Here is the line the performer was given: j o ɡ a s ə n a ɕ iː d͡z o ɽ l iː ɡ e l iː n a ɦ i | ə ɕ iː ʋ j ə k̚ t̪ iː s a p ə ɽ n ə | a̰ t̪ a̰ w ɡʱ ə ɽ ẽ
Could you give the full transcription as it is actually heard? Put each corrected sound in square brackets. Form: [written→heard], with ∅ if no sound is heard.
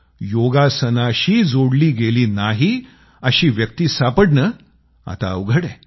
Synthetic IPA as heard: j o ɡ a s ə n a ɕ iː d͡z o ɽ l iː ɡ e l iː n a ɦ i | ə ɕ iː ʋ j ə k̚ t̪ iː s a p ə ɽ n ə | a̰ t̪ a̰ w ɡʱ ə ɽ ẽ